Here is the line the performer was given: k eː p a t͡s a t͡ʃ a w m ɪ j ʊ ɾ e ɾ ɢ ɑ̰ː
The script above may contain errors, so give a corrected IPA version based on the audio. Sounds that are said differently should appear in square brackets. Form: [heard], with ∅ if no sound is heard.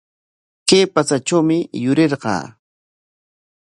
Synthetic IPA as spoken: k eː p a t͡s a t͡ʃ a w m ɪ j ʊ ɾ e ɾ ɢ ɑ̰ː